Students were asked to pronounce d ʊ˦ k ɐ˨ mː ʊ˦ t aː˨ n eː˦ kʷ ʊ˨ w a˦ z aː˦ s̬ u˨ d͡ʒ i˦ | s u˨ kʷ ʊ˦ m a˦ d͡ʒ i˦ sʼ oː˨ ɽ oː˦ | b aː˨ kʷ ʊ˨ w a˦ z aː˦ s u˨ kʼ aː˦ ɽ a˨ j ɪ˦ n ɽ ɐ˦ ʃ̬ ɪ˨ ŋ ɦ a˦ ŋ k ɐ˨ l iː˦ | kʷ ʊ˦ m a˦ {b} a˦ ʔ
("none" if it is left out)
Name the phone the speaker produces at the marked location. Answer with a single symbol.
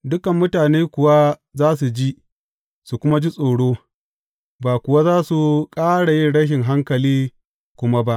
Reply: b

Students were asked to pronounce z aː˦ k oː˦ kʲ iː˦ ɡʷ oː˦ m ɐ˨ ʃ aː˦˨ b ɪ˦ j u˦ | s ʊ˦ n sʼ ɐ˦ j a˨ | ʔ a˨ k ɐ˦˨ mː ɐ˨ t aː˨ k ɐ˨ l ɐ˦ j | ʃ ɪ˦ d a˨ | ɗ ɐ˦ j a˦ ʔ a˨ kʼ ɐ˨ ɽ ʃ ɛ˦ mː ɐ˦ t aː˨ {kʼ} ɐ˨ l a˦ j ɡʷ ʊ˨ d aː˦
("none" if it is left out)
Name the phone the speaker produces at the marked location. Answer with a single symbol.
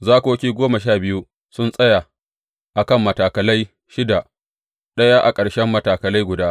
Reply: k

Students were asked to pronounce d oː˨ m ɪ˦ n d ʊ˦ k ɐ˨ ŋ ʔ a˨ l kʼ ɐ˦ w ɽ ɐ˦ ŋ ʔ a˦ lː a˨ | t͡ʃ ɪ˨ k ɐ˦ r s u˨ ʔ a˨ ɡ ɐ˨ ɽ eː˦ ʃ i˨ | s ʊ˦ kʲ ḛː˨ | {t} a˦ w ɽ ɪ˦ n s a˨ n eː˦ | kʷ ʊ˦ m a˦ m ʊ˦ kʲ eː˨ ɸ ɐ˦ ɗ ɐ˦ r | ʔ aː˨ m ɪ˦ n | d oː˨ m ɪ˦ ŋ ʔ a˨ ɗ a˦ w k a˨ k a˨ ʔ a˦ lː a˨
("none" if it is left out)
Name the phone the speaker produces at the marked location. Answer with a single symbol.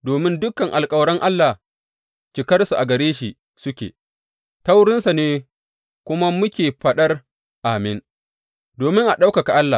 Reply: t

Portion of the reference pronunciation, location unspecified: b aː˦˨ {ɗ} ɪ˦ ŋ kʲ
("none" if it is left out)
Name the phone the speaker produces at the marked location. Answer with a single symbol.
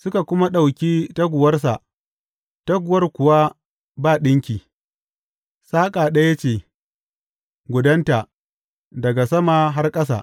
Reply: ɗ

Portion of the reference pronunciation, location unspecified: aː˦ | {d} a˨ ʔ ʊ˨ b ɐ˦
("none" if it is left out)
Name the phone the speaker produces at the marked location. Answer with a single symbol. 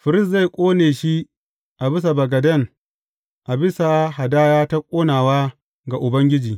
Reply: ɡ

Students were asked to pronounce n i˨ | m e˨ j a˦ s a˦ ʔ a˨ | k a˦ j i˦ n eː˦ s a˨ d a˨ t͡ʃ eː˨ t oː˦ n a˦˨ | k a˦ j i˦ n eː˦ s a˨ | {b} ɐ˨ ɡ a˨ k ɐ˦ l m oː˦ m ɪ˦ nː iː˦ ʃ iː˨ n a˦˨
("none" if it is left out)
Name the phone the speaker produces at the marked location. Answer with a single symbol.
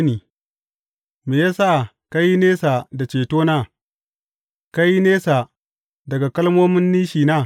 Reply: d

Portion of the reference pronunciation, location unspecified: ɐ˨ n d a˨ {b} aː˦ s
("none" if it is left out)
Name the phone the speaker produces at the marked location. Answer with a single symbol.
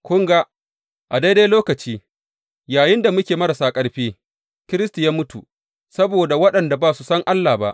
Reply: b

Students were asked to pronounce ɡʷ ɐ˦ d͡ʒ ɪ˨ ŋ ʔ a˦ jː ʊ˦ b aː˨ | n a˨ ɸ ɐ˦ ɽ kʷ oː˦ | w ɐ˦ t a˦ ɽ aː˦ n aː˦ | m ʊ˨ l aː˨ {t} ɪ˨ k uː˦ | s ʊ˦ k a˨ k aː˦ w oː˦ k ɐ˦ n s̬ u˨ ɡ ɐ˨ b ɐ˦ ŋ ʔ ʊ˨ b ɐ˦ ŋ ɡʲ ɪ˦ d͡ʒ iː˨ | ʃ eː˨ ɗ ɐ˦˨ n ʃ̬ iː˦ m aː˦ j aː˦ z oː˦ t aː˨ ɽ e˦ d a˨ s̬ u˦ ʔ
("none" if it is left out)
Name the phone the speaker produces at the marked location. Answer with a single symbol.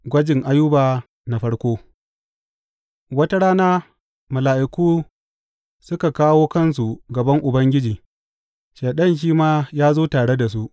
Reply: ʔ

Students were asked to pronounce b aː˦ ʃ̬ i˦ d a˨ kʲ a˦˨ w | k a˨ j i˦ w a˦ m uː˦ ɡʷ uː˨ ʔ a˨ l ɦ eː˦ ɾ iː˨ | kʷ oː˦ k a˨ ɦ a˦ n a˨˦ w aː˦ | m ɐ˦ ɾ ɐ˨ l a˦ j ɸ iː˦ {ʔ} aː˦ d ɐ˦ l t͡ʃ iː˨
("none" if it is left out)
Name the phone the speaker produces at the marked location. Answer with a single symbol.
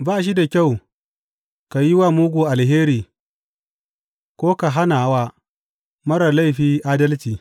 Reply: ʔ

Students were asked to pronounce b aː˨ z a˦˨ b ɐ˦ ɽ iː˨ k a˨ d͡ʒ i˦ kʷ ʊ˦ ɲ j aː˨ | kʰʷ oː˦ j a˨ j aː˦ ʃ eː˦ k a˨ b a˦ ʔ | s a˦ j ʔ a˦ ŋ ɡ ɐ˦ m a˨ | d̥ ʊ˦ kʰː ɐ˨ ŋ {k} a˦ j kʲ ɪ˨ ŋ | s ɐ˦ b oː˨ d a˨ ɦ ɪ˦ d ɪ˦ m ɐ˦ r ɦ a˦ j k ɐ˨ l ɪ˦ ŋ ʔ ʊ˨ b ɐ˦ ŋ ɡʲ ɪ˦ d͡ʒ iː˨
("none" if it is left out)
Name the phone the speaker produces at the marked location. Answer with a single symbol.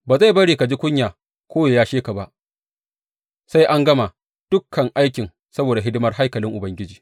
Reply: ʔ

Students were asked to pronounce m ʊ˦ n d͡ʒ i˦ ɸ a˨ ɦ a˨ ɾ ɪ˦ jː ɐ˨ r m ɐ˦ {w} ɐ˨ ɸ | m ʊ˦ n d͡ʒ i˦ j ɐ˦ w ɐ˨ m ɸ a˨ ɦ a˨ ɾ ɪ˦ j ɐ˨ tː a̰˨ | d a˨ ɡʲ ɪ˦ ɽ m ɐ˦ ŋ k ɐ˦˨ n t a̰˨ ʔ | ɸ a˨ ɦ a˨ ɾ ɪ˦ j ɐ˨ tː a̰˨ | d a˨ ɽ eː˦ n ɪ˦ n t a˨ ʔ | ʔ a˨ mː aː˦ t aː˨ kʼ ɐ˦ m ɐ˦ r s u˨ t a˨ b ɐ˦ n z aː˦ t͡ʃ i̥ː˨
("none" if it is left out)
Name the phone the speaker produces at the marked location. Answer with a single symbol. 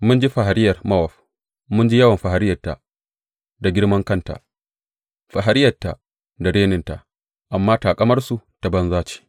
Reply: w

